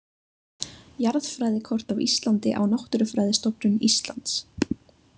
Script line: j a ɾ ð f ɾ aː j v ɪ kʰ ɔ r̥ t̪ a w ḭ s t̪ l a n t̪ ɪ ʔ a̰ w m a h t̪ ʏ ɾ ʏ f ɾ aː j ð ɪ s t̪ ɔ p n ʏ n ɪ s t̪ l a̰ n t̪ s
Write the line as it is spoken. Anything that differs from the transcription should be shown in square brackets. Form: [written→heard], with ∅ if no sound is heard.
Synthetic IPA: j a ɾ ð f ɾ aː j [v→ð] ɪ kʰ ɔ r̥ t̪ a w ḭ s t̪ l a n t̪ ɪ ʔ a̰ w [m→n] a h t̪ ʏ ɾ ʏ f ɾ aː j ð ɪ s t̪ ɔ p n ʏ n [ɪ→i] s t̪ l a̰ n t̪ s